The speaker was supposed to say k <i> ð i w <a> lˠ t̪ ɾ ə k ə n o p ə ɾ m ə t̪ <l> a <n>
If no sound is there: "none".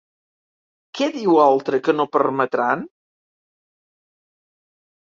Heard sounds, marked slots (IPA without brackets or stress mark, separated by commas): ɛ, a, ɾ, n